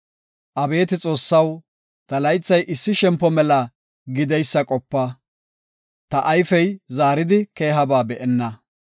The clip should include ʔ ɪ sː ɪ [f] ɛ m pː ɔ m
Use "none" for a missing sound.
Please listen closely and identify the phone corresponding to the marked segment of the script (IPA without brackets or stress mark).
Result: ʃ